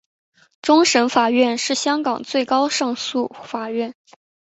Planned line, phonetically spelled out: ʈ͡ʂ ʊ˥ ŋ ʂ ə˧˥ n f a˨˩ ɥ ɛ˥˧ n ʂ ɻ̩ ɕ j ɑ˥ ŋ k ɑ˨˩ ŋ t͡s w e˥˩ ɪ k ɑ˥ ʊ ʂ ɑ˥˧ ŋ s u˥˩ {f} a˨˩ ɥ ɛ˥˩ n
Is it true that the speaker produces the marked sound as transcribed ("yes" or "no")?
yes